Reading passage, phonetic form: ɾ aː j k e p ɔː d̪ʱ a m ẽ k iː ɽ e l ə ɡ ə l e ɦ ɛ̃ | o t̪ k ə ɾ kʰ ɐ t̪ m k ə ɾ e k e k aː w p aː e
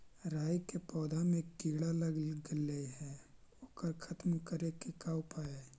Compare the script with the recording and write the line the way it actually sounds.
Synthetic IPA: ɾ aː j k e p ɔː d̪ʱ a m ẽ k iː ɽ a l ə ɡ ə l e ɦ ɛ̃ | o k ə ɾ kʰ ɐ t̪ m k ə ɾ e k e k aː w p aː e